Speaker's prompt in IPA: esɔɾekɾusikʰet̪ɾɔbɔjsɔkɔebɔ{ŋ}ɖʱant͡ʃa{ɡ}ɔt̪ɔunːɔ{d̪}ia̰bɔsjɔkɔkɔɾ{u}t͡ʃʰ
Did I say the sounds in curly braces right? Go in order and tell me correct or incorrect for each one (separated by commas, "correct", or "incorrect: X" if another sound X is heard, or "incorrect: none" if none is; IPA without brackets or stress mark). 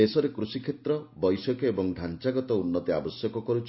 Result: correct, correct, incorrect: t̪, correct